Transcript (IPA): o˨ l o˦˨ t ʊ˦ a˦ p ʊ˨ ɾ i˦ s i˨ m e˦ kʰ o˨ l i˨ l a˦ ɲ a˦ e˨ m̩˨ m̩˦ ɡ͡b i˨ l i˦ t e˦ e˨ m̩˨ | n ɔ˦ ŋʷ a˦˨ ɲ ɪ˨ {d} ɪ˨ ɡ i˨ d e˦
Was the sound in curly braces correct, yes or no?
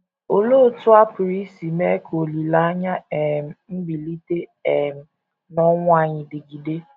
yes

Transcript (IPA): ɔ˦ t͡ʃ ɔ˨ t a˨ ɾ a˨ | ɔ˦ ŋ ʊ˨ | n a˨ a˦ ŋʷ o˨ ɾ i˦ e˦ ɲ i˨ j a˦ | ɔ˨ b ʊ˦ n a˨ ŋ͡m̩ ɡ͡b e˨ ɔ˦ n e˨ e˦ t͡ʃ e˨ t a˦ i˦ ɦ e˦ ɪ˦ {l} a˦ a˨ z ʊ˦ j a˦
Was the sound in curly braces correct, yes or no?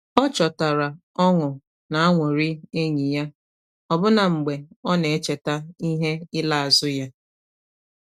yes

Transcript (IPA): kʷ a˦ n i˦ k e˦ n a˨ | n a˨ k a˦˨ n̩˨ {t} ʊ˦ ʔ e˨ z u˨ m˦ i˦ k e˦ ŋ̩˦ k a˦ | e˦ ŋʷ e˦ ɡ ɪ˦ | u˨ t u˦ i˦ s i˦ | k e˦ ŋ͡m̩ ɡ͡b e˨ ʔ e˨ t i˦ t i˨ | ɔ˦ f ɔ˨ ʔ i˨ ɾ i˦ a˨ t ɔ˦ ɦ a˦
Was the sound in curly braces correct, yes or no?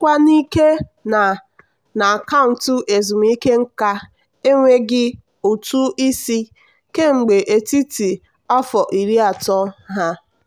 yes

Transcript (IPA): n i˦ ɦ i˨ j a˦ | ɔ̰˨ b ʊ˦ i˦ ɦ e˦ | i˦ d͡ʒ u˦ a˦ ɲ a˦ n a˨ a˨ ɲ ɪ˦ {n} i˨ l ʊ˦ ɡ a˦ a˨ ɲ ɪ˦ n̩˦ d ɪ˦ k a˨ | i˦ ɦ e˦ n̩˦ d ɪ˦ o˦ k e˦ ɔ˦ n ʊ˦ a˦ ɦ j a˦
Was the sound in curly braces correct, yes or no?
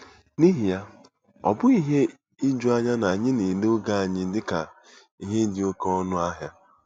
yes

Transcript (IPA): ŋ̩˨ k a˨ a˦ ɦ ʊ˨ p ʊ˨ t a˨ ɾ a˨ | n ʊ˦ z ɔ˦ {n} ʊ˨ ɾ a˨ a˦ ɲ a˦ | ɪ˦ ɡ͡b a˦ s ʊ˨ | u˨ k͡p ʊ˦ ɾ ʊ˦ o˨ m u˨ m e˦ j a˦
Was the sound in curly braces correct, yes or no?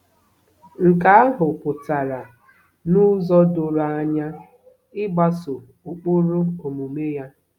no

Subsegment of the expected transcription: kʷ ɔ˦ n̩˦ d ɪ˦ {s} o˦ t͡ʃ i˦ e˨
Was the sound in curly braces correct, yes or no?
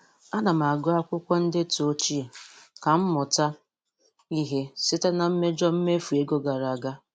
no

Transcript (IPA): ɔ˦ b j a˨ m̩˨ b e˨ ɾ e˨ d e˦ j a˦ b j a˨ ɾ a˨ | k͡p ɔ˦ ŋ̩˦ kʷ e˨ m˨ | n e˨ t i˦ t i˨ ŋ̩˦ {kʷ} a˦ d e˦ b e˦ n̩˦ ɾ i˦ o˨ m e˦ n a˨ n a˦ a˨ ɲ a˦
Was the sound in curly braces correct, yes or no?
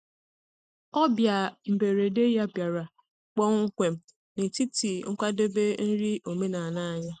yes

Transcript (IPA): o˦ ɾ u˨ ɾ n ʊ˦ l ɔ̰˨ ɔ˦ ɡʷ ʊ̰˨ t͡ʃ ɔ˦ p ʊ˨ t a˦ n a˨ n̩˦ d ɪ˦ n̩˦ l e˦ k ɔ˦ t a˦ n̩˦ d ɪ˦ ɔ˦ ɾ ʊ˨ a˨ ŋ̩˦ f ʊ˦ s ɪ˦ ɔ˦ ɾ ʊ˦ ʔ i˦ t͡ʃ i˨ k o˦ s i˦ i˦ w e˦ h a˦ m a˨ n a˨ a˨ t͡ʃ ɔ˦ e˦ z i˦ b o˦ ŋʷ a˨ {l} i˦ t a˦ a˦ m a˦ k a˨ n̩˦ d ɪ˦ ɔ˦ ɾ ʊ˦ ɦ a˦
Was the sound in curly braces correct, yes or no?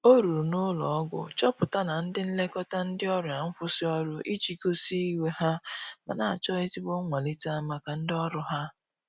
yes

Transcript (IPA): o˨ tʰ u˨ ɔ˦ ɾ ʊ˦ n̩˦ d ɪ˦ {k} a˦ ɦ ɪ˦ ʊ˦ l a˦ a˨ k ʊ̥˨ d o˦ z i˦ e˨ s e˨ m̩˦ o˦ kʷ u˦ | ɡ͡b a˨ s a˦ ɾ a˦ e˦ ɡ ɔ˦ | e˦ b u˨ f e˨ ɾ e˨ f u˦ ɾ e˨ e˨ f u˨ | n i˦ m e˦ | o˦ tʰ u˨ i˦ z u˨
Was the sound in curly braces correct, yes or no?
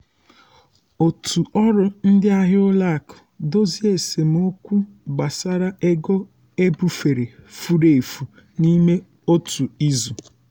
no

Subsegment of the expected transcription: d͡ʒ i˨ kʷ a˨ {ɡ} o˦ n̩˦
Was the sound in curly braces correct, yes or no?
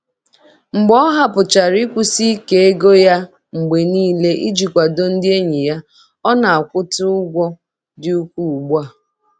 no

